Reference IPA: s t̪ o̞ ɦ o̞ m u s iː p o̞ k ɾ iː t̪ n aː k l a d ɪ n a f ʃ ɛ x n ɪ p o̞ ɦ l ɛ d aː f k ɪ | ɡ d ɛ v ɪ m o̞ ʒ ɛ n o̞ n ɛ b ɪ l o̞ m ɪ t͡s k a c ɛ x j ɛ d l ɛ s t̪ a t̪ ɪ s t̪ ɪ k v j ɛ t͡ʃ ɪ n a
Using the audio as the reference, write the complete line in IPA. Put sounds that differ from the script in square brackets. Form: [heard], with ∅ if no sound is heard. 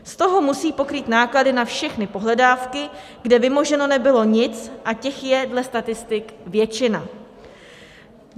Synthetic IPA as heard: s t̪ o̞ ɦ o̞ m u s iː p o̞ k ɾ iː t̪ n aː k l a d ɪ n a f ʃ ɛ x n ɪ p o̞ ɦ l ɛ d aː f k ɪ | ɡ d ɛ v ɪ m o̞ ʒ ɛ n o̞ n ɛ b ɪ l o̞ [ɲ] ɪ t͡s [ʔ] a c ɛ x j ɛ d l ɛ s t̪ a t̪ ɪ s t̪ ɪ k v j ɛ t͡ʃ ɪ n a